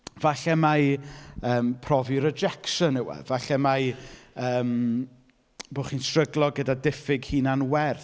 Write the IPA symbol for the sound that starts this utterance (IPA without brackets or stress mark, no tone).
v